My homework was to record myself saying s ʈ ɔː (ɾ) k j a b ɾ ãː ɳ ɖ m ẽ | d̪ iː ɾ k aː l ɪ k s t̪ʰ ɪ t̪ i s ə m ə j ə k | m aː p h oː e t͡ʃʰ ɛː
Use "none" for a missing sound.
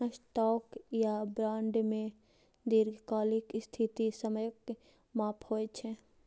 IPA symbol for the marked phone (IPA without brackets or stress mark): none